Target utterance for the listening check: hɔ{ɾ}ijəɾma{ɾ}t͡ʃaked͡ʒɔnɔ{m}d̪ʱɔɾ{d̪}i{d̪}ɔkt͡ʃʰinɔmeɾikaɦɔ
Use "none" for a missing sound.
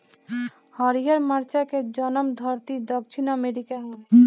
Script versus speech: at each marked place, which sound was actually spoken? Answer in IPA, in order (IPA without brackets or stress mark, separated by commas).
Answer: ɾ, ɾ, m, t̪, d̪